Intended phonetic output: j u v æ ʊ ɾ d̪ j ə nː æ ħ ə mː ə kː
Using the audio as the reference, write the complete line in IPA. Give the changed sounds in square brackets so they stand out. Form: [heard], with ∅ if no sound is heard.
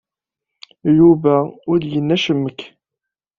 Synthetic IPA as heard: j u v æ ʊ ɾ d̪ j ə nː æ [ʃ] ə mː ə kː